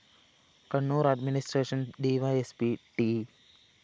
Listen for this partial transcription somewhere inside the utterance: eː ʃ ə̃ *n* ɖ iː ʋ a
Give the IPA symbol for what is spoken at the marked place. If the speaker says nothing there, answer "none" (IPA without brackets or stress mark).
n